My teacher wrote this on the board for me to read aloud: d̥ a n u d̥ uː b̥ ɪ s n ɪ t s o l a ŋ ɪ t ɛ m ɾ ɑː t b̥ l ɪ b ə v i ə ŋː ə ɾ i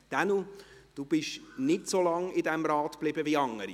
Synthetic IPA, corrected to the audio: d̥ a n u d̥ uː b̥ ɪ ʃ n ɪ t s o l ɑ ŋ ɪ d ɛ m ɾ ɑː t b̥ l ɪ b ə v i ɑ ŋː ə ɾ i